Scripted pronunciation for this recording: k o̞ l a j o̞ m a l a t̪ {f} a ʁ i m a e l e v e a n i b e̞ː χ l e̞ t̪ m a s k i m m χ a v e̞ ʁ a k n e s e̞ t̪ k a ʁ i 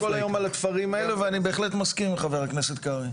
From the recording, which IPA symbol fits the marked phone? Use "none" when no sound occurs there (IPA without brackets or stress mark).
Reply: f